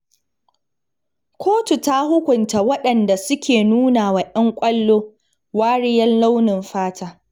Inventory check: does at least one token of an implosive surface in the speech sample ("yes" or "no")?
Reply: yes